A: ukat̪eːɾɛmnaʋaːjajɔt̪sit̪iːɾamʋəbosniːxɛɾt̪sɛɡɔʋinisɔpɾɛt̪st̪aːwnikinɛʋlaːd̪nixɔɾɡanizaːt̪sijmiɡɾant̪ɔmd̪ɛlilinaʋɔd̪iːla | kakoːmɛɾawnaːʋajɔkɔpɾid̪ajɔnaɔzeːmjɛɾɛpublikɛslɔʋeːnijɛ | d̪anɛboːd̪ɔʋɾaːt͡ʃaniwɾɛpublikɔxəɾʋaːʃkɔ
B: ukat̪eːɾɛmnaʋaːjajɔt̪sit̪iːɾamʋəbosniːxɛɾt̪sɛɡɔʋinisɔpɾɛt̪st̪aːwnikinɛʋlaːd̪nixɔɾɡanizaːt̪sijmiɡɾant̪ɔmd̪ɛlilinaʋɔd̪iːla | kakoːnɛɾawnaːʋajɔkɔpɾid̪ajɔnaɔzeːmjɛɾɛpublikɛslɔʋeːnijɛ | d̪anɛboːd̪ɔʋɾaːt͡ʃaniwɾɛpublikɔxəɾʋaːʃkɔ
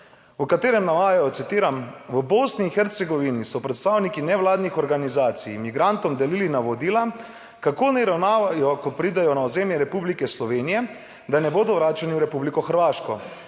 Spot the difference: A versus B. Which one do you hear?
B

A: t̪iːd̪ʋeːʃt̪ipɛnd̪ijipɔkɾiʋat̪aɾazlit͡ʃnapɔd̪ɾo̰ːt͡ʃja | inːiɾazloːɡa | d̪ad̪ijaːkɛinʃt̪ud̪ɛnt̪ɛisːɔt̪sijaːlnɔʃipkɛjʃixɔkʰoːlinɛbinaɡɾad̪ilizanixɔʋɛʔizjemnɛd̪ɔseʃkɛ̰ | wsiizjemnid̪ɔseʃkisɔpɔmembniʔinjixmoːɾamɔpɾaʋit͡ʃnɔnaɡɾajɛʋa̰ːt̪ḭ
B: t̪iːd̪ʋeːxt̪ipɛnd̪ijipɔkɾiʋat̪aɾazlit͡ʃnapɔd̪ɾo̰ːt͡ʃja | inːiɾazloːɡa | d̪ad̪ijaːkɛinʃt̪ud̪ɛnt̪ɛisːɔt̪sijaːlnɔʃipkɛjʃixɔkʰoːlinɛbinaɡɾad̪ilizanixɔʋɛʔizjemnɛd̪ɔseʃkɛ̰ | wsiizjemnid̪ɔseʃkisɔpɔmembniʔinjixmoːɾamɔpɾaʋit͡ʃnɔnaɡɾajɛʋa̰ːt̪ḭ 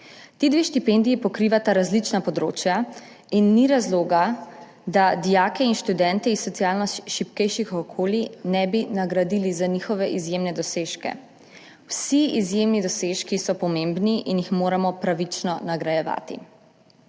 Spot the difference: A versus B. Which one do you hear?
A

